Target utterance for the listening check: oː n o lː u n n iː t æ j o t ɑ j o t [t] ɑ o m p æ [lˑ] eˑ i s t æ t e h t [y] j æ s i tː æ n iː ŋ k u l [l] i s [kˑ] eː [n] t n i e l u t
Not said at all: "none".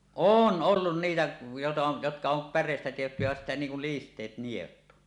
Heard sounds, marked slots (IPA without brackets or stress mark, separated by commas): k, rˑ, y, l, tˑ, none